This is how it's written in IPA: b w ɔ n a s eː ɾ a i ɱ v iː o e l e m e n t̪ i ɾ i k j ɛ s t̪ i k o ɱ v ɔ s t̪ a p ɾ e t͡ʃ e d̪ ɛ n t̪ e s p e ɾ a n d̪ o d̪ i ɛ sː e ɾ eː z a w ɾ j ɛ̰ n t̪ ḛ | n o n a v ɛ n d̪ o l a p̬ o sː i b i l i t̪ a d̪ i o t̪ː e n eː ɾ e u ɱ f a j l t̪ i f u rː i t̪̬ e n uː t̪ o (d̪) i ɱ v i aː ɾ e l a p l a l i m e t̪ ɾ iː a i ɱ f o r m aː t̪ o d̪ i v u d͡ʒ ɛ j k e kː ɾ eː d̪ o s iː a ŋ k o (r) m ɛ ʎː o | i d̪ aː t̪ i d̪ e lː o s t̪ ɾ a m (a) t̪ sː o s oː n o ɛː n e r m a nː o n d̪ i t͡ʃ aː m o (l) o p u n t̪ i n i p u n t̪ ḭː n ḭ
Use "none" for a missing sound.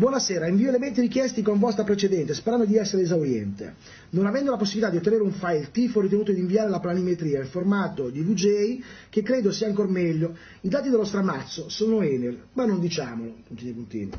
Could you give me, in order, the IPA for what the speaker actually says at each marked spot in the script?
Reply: d̪, r, a, l

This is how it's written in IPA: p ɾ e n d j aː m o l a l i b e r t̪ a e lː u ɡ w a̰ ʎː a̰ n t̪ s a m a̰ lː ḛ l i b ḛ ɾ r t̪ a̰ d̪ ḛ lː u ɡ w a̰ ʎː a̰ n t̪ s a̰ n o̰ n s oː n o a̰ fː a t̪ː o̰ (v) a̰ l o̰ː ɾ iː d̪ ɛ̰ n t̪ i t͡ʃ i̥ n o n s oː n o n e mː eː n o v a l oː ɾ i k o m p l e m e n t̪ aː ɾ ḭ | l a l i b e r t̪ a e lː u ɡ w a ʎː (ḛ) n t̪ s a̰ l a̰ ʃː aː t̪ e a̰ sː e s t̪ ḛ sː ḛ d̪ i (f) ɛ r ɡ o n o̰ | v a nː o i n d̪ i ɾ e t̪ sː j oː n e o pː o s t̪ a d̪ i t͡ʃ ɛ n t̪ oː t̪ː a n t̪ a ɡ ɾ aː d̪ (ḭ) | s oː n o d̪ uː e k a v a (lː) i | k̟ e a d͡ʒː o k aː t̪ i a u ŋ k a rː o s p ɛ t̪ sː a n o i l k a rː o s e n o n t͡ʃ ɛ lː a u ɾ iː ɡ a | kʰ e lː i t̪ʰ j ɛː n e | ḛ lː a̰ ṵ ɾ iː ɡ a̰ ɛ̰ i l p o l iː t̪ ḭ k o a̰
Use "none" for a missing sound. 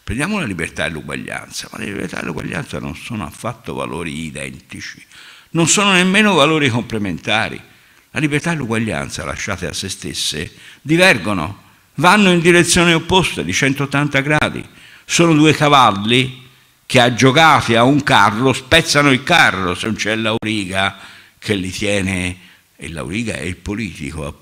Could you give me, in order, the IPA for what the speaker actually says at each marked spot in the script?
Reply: v, a̰, v, ḭ, lː

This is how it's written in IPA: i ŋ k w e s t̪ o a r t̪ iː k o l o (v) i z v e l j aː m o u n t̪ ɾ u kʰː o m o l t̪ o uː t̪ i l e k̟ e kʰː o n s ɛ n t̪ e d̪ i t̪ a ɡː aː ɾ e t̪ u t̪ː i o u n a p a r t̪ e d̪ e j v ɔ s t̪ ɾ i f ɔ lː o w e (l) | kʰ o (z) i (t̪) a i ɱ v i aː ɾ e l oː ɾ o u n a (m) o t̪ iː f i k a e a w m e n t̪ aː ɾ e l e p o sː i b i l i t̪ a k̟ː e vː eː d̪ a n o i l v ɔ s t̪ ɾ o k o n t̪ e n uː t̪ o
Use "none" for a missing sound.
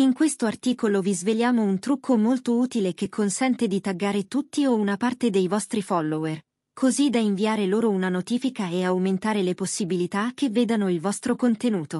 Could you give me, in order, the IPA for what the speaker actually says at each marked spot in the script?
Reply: v, r, z, d̪, n

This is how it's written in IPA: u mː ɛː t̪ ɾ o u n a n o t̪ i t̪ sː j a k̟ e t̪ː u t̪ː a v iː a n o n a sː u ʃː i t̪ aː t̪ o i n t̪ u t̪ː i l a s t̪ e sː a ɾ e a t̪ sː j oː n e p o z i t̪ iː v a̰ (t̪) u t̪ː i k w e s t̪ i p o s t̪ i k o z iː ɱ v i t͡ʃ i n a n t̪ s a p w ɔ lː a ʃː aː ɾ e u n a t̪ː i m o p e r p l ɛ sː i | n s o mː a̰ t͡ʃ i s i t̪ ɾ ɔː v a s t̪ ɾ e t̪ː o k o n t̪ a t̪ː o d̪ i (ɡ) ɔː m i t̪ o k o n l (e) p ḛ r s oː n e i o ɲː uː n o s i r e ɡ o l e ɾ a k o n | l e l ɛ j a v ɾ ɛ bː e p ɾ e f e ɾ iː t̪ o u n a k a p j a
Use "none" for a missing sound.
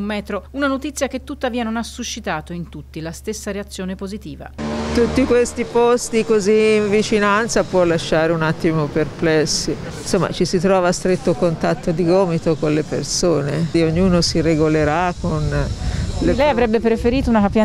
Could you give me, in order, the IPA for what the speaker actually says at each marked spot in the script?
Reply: t̪, ɡ, e

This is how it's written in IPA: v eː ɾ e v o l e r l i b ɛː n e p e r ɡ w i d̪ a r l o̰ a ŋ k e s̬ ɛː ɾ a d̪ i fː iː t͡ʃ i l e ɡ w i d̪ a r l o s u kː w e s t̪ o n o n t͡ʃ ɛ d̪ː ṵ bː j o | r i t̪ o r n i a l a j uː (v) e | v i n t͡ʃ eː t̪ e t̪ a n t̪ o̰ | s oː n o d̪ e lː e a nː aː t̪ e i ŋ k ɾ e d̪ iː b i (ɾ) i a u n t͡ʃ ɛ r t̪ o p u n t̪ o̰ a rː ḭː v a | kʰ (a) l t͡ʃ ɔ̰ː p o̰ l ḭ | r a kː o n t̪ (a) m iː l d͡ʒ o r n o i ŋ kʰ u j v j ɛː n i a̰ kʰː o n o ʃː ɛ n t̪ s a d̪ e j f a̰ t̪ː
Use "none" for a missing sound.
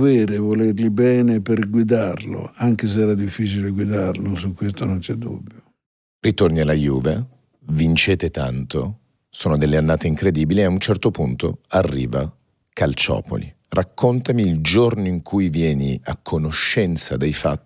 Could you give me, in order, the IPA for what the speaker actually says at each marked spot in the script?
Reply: v, l, a, a

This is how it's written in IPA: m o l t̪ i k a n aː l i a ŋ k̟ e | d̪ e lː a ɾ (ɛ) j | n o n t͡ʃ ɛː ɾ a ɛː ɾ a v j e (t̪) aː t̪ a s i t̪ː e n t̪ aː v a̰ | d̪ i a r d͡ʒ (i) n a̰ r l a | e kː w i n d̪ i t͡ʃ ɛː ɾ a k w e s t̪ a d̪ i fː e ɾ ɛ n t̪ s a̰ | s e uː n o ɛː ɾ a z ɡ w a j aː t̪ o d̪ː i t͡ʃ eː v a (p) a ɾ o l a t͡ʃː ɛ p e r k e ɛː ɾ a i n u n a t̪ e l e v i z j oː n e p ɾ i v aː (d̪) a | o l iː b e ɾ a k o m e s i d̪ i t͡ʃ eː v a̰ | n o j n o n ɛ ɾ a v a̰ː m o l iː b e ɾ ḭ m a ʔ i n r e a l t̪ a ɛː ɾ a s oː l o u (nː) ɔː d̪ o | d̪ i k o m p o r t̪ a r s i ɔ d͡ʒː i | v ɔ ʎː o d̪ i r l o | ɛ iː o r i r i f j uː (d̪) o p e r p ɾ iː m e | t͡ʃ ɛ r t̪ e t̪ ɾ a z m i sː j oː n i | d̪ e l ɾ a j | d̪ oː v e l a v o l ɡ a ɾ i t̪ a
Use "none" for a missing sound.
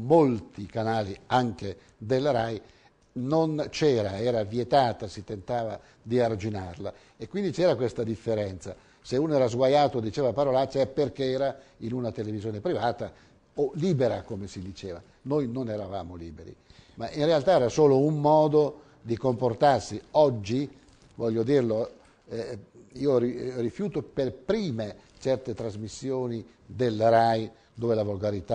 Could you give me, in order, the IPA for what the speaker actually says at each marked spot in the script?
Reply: a, t̪, i, p, t̪, mː, t̪

